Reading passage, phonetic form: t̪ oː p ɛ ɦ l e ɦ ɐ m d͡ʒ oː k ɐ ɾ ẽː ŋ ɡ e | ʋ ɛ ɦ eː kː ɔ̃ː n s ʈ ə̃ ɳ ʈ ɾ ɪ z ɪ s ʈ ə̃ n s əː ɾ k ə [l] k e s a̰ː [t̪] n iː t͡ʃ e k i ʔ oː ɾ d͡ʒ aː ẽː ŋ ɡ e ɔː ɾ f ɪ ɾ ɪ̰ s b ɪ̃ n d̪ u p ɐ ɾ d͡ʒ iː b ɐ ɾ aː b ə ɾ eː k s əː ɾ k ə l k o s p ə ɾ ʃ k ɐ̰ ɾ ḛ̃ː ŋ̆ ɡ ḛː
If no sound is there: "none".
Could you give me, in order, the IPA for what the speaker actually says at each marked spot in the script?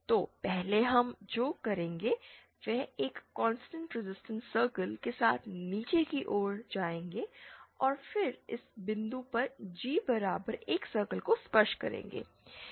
l, t̪ʰ

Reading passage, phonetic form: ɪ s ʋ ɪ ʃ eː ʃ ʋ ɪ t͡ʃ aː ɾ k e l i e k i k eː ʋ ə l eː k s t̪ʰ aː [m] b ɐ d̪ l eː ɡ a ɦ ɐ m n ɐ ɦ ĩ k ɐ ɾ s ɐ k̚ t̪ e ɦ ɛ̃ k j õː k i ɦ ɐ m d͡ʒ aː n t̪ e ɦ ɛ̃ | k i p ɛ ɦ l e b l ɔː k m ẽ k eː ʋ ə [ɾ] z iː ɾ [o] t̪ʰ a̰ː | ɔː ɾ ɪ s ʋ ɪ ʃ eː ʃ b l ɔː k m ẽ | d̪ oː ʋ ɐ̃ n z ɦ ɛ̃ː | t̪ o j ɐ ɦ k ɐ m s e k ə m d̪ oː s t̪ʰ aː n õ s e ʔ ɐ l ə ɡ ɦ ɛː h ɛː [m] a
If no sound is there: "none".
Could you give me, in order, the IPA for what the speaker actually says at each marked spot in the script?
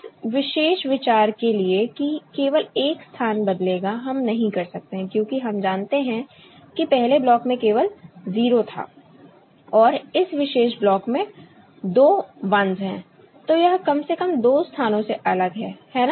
n, l, o, n

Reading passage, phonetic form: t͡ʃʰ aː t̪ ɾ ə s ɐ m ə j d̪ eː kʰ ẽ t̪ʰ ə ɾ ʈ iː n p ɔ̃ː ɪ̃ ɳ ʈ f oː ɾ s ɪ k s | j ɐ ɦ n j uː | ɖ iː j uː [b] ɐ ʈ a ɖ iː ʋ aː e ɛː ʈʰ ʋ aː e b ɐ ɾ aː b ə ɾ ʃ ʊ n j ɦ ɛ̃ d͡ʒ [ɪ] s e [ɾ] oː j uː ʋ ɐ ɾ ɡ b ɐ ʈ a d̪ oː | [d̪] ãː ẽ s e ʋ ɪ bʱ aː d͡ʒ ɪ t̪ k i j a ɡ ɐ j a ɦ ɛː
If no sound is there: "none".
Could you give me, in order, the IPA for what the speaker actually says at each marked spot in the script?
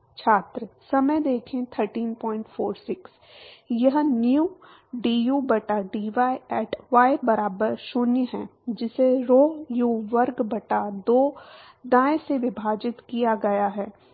b, ɪ, ɾ, d̪

